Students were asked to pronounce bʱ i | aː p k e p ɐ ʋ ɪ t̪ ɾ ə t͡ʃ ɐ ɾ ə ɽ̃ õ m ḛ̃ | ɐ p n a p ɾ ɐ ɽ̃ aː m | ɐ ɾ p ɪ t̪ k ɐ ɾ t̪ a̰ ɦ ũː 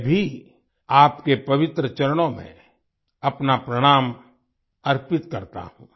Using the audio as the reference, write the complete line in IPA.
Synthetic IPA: bʱ i | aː p k e p ɐ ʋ ɪ t̪ ɾ ə t͡ʃ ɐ ɾ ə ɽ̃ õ m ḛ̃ | ɐ p n a p ɾ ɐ ɽ̃ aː m | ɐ ɾ p ɪ t̪ k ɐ ɾ t̪ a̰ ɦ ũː